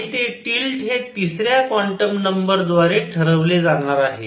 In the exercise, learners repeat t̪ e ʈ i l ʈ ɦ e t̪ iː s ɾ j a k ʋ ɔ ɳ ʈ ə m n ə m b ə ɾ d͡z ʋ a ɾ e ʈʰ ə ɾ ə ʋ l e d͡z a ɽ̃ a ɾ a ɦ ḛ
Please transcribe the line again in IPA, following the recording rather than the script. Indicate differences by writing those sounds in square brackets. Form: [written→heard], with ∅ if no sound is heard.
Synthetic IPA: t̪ e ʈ i l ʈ ɦ e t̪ [iː→i] s ɾ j a k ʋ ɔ ɳ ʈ ə m n ə m b ə ɾ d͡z ʋ a ɾ e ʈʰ ə ɾ ə ʋ l e d͡z a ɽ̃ a ɾ a ɦ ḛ